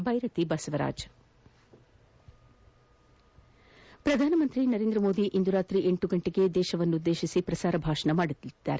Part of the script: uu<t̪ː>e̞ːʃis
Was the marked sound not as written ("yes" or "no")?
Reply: yes